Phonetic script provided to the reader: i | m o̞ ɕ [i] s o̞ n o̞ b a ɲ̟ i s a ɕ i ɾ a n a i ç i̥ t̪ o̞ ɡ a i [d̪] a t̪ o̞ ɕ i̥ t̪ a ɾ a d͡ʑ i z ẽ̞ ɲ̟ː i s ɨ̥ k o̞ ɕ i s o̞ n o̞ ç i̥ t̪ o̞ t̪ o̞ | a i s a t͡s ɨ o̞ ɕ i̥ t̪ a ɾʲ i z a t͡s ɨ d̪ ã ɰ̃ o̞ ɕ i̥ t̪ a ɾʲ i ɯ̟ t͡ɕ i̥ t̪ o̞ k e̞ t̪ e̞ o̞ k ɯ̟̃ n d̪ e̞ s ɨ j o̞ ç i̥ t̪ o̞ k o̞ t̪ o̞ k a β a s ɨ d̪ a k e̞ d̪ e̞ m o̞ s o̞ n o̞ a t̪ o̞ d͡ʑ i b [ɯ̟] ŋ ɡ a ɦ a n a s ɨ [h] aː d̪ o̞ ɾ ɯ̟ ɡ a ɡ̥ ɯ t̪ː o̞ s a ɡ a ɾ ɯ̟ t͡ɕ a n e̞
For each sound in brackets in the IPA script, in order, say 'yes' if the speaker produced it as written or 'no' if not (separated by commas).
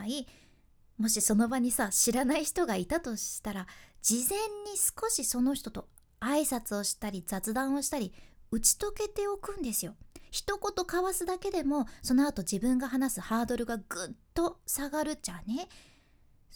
yes, no, no, yes